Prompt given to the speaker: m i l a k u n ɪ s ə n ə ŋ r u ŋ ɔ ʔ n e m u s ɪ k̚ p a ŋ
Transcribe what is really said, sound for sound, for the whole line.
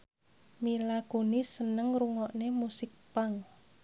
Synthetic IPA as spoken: m i l a k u n i s ə n ə ŋ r u ŋ ɔ ʔ n e m u s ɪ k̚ p a ŋ